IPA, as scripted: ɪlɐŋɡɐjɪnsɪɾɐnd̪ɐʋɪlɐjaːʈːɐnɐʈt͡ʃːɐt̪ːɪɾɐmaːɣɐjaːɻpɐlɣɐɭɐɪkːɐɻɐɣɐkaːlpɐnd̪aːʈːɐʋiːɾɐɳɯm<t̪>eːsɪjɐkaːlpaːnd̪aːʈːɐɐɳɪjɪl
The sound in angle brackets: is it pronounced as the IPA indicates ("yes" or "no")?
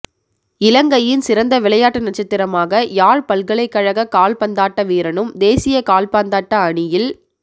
no